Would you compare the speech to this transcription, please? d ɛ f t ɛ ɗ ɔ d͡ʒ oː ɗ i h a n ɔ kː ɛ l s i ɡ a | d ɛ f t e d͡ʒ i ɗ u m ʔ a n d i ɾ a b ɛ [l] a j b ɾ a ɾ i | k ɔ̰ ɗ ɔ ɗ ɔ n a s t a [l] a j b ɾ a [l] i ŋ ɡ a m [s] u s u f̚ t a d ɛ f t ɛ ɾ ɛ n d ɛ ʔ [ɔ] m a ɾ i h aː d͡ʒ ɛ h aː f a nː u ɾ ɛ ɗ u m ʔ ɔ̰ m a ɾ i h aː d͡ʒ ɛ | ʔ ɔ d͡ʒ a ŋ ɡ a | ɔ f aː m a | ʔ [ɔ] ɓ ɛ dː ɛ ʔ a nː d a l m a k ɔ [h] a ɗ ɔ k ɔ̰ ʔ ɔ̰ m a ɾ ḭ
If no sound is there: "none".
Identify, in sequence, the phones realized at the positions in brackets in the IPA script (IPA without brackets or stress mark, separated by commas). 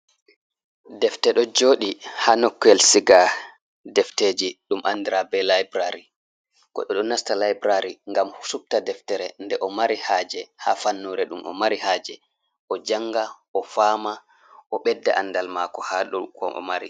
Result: l, l, ɾ, h, ɔ, ɔ, h